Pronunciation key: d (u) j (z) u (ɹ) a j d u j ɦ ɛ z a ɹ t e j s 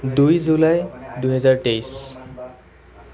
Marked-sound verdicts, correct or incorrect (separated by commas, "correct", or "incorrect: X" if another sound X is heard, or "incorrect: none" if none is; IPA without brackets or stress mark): correct, correct, incorrect: l